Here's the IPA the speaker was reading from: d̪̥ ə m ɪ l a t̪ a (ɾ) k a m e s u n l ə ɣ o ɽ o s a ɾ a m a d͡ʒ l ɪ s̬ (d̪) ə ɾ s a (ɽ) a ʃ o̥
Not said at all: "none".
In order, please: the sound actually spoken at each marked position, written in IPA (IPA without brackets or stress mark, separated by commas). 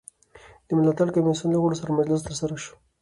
ɽ, t̪, ɾ